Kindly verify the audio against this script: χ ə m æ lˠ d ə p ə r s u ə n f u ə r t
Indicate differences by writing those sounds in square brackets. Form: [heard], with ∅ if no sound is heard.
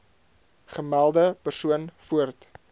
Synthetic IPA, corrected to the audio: χ ə m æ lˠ d ə p ə r s u ə n f u ə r t